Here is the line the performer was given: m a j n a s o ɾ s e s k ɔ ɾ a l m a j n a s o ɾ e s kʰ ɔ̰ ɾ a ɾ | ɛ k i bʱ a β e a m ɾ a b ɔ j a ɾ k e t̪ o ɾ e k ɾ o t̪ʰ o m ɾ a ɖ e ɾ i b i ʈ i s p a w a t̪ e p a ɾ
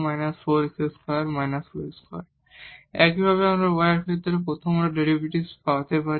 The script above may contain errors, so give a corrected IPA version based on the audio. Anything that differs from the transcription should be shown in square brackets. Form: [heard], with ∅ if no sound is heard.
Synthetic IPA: m a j n a s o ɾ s e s k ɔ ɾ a [ɾ] m a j n a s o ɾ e s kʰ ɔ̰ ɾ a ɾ | ɛ k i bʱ a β e a m ɾ a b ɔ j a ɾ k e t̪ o ɾ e [p] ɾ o t̪ʰ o m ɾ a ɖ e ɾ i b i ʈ i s p a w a t̪ e p a ɾ